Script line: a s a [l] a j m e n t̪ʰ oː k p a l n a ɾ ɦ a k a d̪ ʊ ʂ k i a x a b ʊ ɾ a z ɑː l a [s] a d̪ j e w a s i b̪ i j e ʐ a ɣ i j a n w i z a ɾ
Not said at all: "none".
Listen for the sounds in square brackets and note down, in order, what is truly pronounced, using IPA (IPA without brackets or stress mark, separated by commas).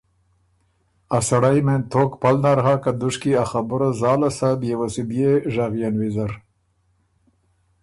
ɽ, s